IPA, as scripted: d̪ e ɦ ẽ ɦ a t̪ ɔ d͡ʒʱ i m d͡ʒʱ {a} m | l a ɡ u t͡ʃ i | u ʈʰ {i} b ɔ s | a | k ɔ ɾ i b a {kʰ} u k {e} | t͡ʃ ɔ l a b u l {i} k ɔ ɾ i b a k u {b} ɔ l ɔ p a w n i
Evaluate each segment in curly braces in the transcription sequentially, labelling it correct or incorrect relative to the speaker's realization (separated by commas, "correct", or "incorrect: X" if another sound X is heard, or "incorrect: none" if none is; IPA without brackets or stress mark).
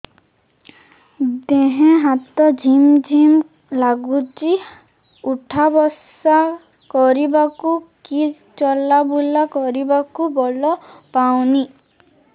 incorrect: i, incorrect: a, incorrect: k, incorrect: i, incorrect: a, correct